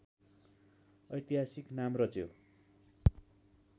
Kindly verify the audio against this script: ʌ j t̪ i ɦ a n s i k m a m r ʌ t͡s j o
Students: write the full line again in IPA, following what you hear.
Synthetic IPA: ʌ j t̪ i ɦ a s i k n a m r ʌ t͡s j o